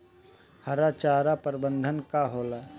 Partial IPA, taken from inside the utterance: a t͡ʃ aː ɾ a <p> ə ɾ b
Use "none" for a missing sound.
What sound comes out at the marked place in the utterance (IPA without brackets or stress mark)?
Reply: p